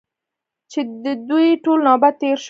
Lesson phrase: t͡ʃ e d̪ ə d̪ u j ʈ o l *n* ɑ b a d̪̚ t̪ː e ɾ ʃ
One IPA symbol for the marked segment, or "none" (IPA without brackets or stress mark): n